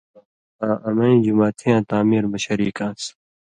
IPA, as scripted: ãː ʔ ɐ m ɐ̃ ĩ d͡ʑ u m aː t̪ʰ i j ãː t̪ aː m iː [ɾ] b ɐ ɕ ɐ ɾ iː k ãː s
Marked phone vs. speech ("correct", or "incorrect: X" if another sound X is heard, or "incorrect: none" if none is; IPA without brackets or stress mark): correct